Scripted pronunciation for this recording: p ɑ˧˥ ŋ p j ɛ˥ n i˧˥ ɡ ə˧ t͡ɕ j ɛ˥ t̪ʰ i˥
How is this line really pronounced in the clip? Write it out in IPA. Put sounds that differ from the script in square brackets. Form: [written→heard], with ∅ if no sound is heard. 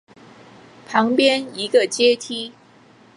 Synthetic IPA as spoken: [p→pʰ] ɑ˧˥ ŋ p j ɛ˥ n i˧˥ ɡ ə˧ t͡ɕ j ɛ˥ t̪ʰ i˥